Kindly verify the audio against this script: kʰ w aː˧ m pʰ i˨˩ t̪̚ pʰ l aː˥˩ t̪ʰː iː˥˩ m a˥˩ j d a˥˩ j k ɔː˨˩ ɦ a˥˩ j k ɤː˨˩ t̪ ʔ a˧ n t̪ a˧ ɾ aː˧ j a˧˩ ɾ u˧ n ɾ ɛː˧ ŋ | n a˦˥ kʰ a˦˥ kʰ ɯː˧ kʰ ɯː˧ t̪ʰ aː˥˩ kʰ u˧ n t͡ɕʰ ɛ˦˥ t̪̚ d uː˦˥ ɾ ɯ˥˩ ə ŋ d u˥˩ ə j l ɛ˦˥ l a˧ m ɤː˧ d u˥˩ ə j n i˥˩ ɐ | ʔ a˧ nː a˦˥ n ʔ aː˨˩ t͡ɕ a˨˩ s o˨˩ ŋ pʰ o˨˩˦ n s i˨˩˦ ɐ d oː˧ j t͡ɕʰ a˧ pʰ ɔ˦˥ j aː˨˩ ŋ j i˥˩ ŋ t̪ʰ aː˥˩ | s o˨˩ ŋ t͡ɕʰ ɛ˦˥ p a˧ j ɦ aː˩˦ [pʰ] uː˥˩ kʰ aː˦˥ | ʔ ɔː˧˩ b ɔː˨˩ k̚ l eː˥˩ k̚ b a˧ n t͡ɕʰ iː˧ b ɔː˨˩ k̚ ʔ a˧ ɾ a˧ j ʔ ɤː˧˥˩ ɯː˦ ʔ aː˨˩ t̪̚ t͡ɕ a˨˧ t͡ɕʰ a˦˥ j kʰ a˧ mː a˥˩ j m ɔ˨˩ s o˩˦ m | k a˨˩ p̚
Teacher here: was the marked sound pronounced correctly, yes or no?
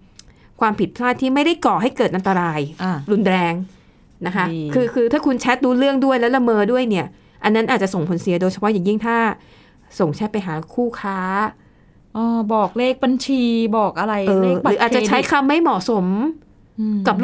no